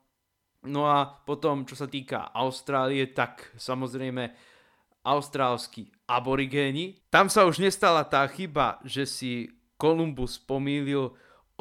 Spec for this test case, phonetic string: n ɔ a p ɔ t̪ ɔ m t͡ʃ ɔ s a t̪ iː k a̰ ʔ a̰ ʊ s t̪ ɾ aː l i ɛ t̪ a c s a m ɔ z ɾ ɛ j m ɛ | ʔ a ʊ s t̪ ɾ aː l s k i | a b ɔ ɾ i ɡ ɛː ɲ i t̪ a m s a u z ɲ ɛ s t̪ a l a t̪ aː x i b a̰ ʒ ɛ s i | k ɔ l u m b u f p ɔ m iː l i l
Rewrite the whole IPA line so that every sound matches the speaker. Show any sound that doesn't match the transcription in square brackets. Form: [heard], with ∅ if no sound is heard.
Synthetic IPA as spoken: n ɔ a p ɔ t̪ ɔ m t͡ʃ ɔ s a t̪ iː k a̰ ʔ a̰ ʊ s t̪ ɾ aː l i ɛ t̪ a [k] s a m ɔ z ɾ ɛ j m ɛ | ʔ a ʊ s t̪ ɾ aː l s k i | a b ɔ ɾ i ɡ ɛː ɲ i t̪ a m s a u [ʒ] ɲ ɛ s t̪ a l a t̪ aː x i b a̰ ʒ ɛ s i | k ɔ l u m b u [s] p ɔ m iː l i l